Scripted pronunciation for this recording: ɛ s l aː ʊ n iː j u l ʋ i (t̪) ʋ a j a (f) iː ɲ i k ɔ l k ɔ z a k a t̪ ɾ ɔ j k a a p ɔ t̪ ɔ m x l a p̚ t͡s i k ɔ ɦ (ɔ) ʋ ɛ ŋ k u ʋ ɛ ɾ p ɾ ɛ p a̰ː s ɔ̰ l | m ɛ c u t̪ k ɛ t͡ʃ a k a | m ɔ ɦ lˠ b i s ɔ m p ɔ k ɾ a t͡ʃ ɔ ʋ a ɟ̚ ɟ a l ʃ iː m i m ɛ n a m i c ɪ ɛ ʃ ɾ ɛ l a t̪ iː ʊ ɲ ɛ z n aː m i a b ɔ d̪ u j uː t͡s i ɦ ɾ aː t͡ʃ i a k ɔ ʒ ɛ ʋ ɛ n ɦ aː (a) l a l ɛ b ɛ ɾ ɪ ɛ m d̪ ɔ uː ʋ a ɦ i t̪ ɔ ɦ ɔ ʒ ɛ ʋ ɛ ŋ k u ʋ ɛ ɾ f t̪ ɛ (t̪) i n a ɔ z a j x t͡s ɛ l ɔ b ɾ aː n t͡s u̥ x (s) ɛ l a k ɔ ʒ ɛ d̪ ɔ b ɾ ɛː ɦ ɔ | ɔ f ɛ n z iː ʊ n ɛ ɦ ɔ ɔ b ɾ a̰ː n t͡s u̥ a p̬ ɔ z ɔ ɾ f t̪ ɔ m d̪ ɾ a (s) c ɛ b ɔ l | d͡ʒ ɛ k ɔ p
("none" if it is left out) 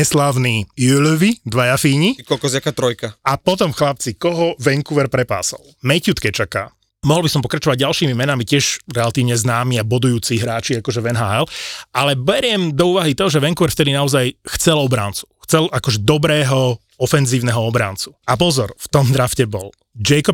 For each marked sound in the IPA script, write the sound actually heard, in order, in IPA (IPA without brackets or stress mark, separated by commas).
d̪, f, ɔ, ɛ, d̪, t͡s, f